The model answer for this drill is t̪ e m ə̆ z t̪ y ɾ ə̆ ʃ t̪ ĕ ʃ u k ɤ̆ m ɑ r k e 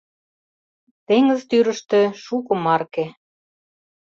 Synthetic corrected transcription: t̪ e ŋ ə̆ z t̪ y ɾ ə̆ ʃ t̪ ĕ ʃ u k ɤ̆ m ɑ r k e